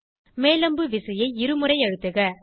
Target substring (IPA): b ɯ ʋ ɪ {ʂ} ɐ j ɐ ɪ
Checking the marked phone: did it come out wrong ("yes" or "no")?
yes